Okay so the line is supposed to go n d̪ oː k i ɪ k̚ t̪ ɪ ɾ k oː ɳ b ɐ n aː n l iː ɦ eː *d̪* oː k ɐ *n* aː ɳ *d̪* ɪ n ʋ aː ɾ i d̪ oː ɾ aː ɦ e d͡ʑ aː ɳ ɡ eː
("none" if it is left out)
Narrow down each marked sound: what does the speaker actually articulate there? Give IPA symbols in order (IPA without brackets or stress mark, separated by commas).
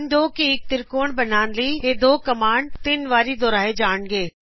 d̪, m, t̪